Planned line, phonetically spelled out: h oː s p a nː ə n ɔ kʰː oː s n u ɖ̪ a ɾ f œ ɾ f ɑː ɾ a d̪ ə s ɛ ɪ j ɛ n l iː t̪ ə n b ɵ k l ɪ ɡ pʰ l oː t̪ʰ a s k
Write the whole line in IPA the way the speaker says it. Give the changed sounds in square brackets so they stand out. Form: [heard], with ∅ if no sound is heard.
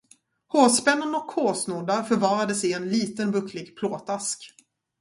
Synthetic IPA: h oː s p [ɛ] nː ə n ɔ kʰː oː s n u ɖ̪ a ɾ f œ ɾ [v] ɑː ɾ a d̪ ə s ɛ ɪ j ɛ n l iː t̪ ə n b ɵ k l ɪ ɡ pʰ l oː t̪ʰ a s k